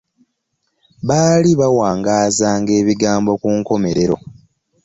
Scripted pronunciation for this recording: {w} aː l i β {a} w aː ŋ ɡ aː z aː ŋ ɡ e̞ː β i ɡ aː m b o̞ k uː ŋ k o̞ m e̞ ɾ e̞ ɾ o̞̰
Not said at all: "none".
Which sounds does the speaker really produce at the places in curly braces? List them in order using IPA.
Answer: β, a

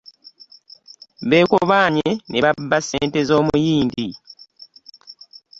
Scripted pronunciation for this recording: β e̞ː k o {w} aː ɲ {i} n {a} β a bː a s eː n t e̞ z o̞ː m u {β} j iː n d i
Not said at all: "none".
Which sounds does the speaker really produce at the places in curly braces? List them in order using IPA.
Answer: β, e, e, none

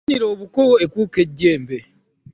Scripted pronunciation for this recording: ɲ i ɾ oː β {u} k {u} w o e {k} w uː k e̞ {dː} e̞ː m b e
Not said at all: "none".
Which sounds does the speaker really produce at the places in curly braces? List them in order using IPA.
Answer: u, o, k, ɟː

